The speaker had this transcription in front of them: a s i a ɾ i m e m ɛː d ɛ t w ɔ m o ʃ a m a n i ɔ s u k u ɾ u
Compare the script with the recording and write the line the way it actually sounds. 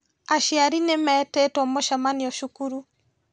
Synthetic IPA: a ʃ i a ɾ i n e m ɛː t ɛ t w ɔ m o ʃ a m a n i ɔ ʃ u k u ɾ u